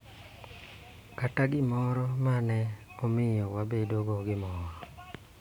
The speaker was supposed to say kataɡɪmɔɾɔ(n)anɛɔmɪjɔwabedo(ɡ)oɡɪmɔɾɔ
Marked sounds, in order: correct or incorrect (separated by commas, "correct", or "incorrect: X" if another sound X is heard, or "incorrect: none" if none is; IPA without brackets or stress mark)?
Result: incorrect: m, correct